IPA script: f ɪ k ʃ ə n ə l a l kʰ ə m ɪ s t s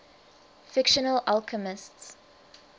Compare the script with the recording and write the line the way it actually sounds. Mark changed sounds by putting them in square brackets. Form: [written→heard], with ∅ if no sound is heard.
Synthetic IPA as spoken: f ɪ k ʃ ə n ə l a l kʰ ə m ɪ s t s